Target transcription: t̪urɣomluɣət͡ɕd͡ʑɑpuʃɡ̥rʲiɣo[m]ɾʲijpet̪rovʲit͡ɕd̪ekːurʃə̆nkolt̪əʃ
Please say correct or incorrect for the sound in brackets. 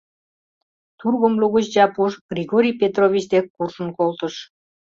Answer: incorrect